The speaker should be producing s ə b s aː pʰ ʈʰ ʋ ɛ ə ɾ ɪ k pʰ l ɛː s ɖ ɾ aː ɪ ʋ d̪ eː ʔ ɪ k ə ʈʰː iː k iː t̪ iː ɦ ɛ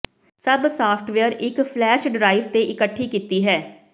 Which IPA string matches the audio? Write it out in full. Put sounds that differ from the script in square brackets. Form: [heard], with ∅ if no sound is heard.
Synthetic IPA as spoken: s ə b s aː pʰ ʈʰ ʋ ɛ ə ɾ ɪ k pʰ l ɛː [ʃ] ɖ ɾ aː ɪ ʋ [t̪] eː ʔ ɪ k ə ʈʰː iː k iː t̪ iː ɦ [ɛː]